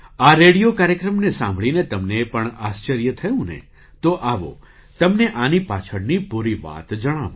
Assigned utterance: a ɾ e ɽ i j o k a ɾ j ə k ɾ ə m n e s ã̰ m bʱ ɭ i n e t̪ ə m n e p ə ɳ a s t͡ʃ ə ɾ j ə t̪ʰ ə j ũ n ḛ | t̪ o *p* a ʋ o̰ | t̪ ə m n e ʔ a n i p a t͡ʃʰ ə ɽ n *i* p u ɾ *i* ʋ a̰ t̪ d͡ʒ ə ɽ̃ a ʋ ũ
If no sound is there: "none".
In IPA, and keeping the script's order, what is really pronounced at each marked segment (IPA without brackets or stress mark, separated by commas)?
ʔ, i, i